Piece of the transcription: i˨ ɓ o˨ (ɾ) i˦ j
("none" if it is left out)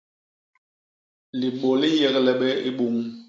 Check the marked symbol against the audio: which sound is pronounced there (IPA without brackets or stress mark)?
l